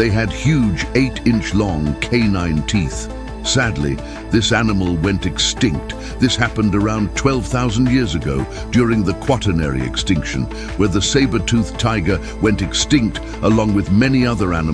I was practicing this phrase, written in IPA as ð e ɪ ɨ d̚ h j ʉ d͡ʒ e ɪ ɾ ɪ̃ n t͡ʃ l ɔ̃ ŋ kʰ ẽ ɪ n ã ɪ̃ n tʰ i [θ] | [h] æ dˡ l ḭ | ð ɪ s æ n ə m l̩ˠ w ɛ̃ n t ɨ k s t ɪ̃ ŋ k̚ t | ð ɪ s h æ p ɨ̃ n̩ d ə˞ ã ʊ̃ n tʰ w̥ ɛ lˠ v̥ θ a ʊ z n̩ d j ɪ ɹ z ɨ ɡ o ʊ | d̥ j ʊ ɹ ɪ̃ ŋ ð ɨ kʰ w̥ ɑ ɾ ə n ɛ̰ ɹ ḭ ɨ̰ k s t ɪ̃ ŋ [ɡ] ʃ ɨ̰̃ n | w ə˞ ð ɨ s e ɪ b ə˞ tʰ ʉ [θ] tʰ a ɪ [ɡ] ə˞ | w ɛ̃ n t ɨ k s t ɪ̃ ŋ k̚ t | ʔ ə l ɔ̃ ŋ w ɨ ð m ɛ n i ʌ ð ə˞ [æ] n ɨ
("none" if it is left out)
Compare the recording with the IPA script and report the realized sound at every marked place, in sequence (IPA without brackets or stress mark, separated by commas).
θ, s, k, θ, ɡ, æ